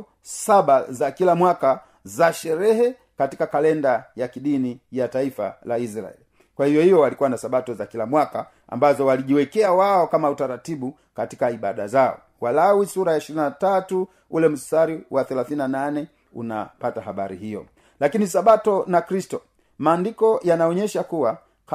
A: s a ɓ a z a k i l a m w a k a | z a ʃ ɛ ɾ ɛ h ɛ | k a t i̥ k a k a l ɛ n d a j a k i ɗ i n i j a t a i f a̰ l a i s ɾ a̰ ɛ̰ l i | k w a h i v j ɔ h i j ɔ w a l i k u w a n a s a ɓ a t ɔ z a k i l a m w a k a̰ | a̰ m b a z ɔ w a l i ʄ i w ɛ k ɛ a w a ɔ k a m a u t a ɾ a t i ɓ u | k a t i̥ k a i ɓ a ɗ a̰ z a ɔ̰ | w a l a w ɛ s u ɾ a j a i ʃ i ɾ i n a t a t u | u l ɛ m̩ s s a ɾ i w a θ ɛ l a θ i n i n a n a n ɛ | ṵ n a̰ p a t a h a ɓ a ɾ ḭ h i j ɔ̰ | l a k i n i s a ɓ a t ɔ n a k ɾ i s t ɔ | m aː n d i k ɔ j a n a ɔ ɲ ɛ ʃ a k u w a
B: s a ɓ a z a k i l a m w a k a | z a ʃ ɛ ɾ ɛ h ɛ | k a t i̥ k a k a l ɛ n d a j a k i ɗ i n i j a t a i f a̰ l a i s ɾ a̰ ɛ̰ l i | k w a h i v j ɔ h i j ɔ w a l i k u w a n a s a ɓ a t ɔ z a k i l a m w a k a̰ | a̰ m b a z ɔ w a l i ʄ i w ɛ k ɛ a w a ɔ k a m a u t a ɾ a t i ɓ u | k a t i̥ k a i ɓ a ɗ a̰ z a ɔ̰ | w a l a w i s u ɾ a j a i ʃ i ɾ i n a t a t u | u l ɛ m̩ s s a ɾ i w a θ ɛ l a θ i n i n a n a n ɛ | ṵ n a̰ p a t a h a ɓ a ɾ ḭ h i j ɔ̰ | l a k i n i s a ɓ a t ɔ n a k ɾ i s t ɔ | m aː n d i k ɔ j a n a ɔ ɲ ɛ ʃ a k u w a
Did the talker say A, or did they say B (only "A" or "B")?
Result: B